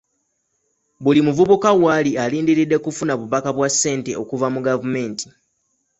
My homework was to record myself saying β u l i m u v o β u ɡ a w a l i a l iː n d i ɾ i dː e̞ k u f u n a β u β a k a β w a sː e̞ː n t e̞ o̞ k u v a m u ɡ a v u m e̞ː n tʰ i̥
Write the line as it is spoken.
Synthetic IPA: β u l i m u v u β u k a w a l i a l iː n d i ɾ i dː e̞ k u f u n a β u β a k a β w a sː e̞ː n t e̞ o̞ k u v a m u ɡ a v u m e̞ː n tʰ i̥